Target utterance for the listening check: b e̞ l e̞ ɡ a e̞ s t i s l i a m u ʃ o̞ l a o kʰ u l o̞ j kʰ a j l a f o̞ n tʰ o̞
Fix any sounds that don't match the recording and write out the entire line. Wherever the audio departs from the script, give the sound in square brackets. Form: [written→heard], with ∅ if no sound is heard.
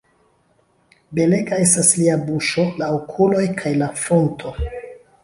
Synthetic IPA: b e̞ l e̞ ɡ a e̞ s t [i→a] s l i a [m→b] u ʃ o̞ l a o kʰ u l o̞ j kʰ a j l a f o̞ n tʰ o̞